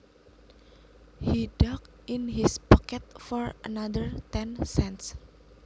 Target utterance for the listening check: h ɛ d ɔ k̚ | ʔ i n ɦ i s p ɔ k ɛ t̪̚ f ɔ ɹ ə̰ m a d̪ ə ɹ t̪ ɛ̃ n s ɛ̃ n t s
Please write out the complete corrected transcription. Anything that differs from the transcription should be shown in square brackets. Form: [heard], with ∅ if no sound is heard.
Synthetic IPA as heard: h [i] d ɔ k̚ | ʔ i n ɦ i s p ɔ k ɛ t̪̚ f ɔ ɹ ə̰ [n] a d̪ ə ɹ t̪ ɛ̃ n s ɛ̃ n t s

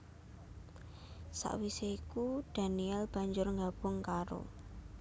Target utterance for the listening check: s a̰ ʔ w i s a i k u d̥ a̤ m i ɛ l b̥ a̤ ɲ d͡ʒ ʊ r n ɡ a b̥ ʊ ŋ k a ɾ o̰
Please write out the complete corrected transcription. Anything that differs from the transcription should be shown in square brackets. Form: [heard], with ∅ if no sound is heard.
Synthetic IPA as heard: s a̰ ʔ w i s [e] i k u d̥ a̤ [n] i ɛ l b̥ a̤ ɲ d͡ʒ ʊ r [ŋ] ɡ a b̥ ʊ ŋ k a ɾ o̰

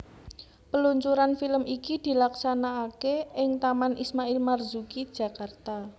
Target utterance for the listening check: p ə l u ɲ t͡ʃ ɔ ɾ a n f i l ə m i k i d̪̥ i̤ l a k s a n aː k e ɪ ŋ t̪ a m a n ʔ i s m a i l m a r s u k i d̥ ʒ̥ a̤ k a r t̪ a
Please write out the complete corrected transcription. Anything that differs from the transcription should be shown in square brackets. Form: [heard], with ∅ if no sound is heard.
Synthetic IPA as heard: p ə l u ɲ t͡ʃ [u] ɾ a n f i l ə m i k i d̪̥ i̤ l a k s a n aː k e ɪ ŋ t̪ a m a n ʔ i s m a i l m a r [z] u k i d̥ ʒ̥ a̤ k a r t̪ a

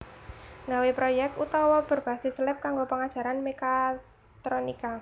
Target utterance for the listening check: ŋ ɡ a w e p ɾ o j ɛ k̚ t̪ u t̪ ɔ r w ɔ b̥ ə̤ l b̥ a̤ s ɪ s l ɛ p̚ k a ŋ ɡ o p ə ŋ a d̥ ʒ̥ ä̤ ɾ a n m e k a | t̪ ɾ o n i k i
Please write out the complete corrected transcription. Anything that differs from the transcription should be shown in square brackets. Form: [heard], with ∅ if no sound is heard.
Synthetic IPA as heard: ŋ ɡ a w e p ɾ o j ɛ k̚ t̪ u t̪ ɔ [∅] w ɔ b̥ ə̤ [r] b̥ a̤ s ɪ s l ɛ p̚ k a ŋ ɡ o p ə ŋ a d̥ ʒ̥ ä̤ ɾ a n m e k a | t̪ ɾ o n i k [a]

